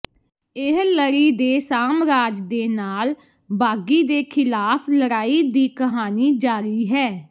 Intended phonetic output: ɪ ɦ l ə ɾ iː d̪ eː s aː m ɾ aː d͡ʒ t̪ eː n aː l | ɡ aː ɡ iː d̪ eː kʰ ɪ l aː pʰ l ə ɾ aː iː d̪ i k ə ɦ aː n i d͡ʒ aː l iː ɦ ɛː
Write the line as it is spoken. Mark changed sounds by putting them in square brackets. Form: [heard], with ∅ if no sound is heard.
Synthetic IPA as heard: ɪ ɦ l ə ɾ iː d̪ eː s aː m ɾ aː d͡ʒ [d̪] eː n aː l | [b] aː ɡ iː d̪ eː kʰ ɪ l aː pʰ l ə ɾ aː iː d̪ [iː] k ə ɦ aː n [iː] d͡ʒ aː [ɾ] iː ɦ ɛː